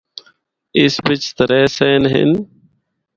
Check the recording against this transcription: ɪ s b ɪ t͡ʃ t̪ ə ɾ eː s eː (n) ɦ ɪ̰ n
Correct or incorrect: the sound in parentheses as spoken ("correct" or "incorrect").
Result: correct